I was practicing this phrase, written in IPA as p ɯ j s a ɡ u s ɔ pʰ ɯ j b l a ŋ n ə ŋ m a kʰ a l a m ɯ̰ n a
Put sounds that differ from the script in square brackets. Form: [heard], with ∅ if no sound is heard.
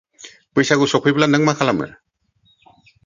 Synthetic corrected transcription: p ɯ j s a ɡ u s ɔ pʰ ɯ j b l a [∅] n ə ŋ m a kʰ a l a m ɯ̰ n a